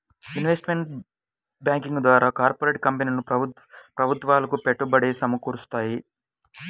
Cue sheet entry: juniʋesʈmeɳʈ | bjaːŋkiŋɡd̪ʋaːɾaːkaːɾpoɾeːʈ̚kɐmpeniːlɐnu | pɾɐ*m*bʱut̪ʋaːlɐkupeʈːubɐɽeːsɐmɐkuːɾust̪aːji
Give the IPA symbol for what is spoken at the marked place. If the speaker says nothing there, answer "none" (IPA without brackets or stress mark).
none